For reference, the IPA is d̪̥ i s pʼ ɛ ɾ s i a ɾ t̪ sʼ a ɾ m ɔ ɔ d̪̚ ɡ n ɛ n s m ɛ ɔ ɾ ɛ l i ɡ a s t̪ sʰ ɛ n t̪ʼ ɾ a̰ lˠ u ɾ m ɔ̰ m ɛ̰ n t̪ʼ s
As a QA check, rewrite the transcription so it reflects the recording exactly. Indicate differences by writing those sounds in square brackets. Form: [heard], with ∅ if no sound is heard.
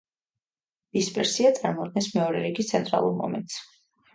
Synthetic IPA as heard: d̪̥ i s pʼ ɛ ɾ s i a [∅] t̪ sʼ a ɾ m ɔ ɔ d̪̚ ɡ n ɛ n s m ɛ ɔ ɾ ɛ [ɾ] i ɡ [i] s t̪ sʰ ɛ n t̪ʼ ɾ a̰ lˠ u ɾ m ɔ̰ m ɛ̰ n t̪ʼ s

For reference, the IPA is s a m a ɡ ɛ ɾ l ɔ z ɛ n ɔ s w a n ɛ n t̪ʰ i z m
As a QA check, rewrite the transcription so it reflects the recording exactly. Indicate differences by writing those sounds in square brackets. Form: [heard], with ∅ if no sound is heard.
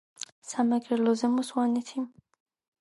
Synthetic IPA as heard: s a m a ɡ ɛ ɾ l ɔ z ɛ [m] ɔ s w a n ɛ [∅] t̪ʰ i [∅] m

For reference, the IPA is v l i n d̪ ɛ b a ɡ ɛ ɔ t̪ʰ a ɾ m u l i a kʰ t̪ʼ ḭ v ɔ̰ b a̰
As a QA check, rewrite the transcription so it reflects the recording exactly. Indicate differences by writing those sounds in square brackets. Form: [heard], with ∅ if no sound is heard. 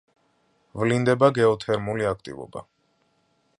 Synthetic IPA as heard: v l i n d̪ ɛ b a ɡ ɛ ɔ t̪ʰ [ɛ] ɾ m u l i a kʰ t̪ʼ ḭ v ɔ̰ b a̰

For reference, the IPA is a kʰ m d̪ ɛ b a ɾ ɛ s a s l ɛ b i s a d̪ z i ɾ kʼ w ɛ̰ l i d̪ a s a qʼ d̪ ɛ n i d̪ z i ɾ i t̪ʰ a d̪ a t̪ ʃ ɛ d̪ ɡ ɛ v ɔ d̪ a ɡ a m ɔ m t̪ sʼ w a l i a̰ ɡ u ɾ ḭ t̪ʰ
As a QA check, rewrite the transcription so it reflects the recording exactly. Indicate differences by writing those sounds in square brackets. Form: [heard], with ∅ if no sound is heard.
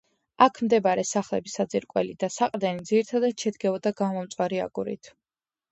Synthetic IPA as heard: a kʰ m d̪ ɛ b a ɾ ɛ s a [χ] l ɛ b i s a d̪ z i ɾ kʼ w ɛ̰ l i d̪ a s a qʼ d̪ ɛ n i d̪ z i ɾ i t̪ʰ a d̪ a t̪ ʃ ɛ d̪ ɡ ɛ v ɔ d̪ a ɡ a m ɔ m t̪ sʼ w a [ɾ] i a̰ ɡ u ɾ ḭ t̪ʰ

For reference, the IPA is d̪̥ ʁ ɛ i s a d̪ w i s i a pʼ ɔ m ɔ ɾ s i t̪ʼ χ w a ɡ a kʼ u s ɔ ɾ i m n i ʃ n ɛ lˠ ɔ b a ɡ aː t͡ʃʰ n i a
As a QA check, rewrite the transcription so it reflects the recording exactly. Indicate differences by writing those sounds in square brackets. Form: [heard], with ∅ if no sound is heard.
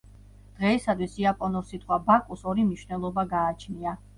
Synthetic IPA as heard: d̪̥ ʁ ɛ i s a d̪ w i s i a pʼ ɔ [n] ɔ ɾ s i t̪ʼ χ w a [b] a kʼ u s ɔ ɾ i m n i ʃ n ɛ lˠ ɔ b a ɡ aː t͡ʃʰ n i a

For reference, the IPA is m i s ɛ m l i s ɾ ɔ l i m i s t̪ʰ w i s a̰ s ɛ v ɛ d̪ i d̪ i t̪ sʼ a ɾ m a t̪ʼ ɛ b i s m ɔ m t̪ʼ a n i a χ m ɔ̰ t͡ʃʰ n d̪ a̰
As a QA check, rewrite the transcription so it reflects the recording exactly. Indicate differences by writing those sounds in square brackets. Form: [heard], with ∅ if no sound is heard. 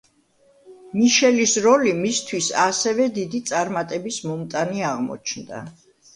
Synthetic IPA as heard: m i [ʃ] ɛ [∅] l i s ɾ ɔ l i m i s t̪ʰ w i s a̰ s ɛ v ɛ d̪ i d̪ i t̪ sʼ a ɾ m a t̪ʼ ɛ b i s m ɔ m t̪ʼ a n i a [ʁ] m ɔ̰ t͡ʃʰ n d̪ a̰

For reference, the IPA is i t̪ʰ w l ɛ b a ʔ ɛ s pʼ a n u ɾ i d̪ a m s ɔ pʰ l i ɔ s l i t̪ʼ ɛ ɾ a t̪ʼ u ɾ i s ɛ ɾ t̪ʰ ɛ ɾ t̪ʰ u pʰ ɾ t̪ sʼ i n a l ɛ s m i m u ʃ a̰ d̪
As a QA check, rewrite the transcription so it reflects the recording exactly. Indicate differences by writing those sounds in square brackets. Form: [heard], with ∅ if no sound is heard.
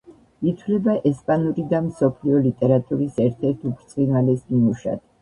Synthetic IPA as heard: i t̪ʰ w l ɛ b a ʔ ɛ s pʼ a n u ɾ i d̪ a m s ɔ pʰ l i ɔ [∅] l i t̪ʼ ɛ ɾ a t̪ʼ u ɾ i s ɛ ɾ t̪ʰ ɛ ɾ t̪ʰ u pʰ ɾ t̪ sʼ i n a l ɛ s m i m u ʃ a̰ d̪

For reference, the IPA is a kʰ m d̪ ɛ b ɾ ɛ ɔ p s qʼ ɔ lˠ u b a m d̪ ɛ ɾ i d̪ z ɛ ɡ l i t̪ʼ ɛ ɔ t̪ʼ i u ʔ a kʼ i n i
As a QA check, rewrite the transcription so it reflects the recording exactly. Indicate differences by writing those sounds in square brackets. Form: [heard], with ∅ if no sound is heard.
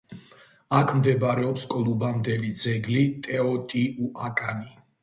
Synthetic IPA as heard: a kʰ m d̪ ɛ b ɾ ɛ ɔ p s [kʼ] ɔ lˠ u b a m d̪ ɛ [l] i d̪ z ɛ ɡ l i t̪ʼ ɛ ɔ t̪ʼ i u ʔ a kʼ [a] n i

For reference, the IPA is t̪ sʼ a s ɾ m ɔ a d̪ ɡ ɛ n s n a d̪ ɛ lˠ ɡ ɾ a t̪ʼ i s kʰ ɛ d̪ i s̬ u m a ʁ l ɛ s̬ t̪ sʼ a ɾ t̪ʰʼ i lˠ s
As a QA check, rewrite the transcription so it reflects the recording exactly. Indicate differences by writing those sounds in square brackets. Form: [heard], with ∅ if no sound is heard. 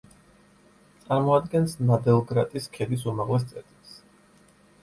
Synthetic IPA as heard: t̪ sʼ a [∅] ɾ m ɔ a d̪ ɡ ɛ n s n a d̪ ɛ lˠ ɡ ɾ a t̪ʼ i s kʰ ɛ d̪ i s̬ u m a ʁ l ɛ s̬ t̪ sʼ [ɛ] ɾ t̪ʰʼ i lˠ s

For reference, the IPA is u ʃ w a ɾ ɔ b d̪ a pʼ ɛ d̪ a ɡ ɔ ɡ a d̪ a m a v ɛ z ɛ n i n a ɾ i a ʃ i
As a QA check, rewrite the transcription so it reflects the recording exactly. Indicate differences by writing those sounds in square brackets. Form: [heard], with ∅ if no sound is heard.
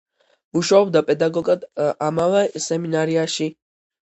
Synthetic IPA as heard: u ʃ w a [∅] ɔ b d̪ a pʼ ɛ d̪ a ɡ ɔ ɡ a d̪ a m a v ɛ [s] ɛ [m] i n a ɾ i a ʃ i

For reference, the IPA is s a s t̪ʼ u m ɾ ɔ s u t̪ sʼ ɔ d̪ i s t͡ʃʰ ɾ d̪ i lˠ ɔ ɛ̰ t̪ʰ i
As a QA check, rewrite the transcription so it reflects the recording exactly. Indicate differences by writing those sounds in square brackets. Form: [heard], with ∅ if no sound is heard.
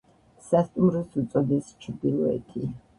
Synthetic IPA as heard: s a s t̪ʼ u m ɾ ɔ s u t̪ sʼ ɔ d̪ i s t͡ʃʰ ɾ d̪ i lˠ ɔ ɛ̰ t̪ʰ i

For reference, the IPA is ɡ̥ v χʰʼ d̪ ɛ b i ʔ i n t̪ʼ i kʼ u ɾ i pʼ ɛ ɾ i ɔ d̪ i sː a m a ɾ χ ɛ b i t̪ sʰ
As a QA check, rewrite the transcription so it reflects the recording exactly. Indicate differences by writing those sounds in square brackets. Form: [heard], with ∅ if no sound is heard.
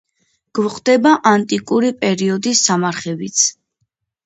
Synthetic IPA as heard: ɡ̥ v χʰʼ d̪ ɛ b [a] ʔ [a] n t̪ʼ i kʼ u ɾ i pʼ ɛ ɾ i ɔ d̪ i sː a m a ɾ χ ɛ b i t̪ sʰ

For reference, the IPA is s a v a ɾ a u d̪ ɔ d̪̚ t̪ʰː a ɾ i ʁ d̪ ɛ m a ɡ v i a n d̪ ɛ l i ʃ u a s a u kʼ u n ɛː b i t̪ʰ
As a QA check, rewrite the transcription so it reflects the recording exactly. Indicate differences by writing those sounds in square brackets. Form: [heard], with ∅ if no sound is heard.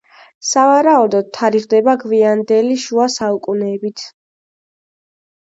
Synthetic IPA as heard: s a v a ɾ a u d̪ ɔ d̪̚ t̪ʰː a ɾ i ʁ d̪ ɛ [b] a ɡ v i a n d̪ ɛ l i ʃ u a s a u kʼ u n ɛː b i t̪ʰ

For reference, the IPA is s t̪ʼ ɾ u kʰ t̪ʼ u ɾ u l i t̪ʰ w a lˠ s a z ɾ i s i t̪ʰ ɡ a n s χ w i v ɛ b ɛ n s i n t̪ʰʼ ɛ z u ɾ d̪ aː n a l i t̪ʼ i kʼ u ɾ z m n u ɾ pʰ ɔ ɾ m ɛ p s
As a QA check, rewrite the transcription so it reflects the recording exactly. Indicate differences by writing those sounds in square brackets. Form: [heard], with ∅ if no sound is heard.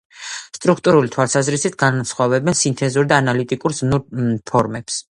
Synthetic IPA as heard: s t̪ʼ ɾ u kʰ t̪ʼ u ɾ u l i t̪ʰ w a lˠ s a z ɾ i s i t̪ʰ ɡ a n s χ w [a] v ɛ b ɛ n s i n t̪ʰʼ ɛ z u ɾ d̪ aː n a l i t̪ʼ i kʼ u ɾ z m n u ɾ pʰ ɔ ɾ m ɛ p s

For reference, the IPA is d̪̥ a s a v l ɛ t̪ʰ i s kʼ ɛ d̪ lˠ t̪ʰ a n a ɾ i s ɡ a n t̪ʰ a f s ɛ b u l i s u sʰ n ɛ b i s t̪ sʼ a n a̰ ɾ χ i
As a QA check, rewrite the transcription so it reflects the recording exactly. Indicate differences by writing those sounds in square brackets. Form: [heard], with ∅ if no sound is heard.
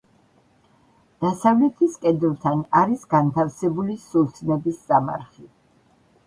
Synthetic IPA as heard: d̪̥ a s a v l ɛ t̪ʰ i s kʼ ɛ d̪ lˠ t̪ʰ a n a ɾ i s ɡ a n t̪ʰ a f s ɛ b u l i s u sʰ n ɛ b i s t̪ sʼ a [m] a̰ ɾ χ i

